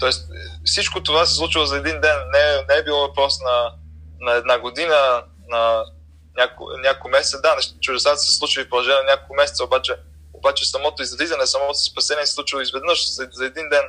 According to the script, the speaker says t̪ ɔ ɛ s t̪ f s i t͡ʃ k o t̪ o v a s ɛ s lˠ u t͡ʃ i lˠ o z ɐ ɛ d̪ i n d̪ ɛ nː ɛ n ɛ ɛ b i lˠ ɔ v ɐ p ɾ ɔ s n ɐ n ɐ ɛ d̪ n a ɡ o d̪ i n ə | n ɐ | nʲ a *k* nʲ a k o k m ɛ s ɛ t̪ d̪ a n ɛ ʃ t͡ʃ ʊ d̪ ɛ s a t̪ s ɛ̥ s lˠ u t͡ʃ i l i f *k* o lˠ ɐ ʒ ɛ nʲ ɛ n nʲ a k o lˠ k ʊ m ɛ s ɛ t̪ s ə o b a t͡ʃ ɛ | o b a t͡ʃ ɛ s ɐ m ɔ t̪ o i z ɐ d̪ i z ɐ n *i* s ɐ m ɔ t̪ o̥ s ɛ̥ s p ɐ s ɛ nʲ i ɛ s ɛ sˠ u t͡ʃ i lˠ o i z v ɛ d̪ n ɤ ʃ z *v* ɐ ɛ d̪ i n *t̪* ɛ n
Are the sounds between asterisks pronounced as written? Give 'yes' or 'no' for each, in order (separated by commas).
yes, no, no, no, no